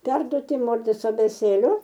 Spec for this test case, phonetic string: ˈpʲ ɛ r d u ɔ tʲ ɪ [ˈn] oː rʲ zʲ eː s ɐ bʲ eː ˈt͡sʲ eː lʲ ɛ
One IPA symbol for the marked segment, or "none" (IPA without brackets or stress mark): m